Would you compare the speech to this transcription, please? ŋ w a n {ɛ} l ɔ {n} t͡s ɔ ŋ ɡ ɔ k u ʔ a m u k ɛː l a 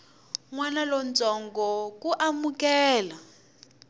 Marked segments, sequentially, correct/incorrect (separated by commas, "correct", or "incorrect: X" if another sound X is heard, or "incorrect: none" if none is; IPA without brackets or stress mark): incorrect: a, correct